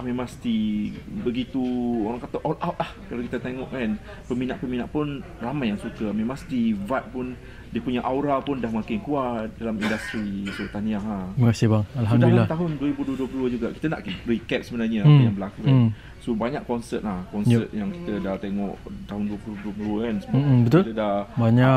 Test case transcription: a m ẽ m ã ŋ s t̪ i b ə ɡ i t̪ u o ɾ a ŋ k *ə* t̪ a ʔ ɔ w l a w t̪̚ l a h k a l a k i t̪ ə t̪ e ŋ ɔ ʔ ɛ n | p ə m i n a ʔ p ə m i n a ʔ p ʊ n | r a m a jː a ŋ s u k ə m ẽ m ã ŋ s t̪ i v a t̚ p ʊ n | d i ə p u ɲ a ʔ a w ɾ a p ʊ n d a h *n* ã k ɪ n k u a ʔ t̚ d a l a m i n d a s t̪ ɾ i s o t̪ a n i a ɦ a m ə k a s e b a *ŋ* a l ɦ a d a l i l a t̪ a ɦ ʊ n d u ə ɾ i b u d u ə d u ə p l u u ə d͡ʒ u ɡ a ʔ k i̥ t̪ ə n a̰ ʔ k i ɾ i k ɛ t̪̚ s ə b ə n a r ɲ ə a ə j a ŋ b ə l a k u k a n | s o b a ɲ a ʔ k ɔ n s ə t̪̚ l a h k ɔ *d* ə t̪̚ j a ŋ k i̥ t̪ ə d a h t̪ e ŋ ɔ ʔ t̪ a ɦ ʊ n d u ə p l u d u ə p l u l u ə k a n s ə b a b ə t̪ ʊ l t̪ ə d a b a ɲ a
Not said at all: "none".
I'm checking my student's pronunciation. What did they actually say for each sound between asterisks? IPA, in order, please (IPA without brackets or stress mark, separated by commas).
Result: a, m, ŋ, n